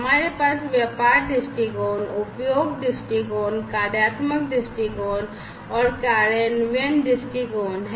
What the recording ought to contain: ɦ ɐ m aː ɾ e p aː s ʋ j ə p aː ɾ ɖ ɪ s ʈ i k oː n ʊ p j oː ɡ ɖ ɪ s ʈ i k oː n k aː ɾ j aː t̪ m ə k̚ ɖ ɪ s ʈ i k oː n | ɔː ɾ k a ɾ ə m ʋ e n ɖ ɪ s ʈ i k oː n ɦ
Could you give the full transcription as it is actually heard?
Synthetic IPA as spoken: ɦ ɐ m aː ɾ e p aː s ʋ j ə p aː ɾ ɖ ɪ s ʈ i k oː n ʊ p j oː ɡ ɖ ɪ s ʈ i k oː n k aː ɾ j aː t̪ m ə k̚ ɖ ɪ s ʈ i k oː n | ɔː ɾ k a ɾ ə n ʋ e n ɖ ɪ s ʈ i k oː n ɦ